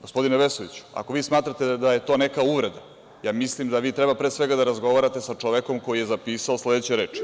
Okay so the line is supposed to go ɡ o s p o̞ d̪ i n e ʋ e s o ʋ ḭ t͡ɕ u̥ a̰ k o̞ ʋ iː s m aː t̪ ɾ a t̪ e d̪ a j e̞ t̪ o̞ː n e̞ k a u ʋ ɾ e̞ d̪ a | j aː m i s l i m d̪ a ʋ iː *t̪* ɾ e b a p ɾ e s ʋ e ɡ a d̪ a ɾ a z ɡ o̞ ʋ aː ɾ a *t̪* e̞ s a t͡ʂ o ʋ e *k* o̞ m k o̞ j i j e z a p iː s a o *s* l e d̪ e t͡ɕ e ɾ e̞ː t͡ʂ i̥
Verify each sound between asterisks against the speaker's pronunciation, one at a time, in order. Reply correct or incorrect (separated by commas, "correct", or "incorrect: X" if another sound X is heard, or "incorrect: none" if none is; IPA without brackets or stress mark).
correct, correct, correct, correct